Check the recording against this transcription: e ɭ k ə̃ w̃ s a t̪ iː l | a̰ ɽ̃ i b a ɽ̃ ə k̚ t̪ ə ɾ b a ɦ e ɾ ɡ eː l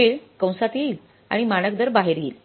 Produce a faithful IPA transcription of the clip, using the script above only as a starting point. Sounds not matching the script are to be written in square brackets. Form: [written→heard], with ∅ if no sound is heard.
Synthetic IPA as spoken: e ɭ k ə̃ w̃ s a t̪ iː l | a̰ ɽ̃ i [b→m] a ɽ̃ ə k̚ [t̪→d̪] ə ɾ b a ɦ e ɾ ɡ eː l

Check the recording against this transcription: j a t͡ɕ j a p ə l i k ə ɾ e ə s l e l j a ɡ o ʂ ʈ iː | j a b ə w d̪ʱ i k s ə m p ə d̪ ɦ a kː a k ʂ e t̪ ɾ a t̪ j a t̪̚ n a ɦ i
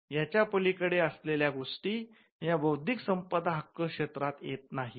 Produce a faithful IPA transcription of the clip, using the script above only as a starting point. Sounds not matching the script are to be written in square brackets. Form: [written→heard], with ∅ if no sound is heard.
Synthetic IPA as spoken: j a t͡ɕ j a p ə l i k ə [ɾ→ɽ] e ə s l e l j a ɡ o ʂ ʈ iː | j a b ə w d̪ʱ i k s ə m p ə d̪ ɦ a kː [a→ə] k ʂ e t̪ ɾ a t̪ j [a→e] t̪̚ n a ɦ i

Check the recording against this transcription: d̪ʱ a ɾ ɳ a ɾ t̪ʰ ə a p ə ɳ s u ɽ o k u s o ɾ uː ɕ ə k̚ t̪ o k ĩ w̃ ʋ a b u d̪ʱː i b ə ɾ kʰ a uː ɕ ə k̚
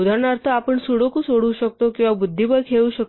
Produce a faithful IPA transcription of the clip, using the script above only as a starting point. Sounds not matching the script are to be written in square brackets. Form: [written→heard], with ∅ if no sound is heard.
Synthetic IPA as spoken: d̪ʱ a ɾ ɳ a ɾ t̪ʰ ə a p ə ɳ s u ɽ o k u s o [ɾ→ɽ] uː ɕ ə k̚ t̪ o k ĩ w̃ ʋ a b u d̪ʱː i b ə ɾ kʰ [a→e] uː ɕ ə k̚

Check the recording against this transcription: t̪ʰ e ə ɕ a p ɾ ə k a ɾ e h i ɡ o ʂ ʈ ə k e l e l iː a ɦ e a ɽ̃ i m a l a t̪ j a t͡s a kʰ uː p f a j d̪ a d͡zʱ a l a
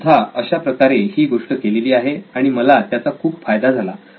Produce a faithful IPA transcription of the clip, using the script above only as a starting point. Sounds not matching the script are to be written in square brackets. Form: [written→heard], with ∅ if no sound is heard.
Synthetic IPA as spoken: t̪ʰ [e→a] ə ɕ a p ɾ ə k a ɾ e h [i→iː] ɡ o ʂ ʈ ə k e l e l iː a ɦ e a ɽ̃ i m [a→ə] l a t̪ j a t͡s a kʰ uː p f a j d̪ a d͡zʱ a l a

